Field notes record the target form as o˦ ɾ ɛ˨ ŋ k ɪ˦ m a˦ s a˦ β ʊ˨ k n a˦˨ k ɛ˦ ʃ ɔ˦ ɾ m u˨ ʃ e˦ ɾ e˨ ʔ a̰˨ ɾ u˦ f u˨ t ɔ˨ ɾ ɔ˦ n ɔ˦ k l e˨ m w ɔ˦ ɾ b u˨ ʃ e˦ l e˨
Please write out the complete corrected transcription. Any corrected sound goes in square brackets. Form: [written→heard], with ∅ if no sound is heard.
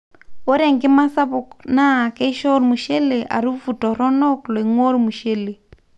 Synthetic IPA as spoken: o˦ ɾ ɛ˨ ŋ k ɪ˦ m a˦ s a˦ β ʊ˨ k n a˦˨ k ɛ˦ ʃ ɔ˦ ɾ m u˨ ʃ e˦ [ɾ→l] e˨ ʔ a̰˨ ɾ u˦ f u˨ t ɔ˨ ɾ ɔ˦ n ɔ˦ k l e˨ [m→ŋ] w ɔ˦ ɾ [b→m] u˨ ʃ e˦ l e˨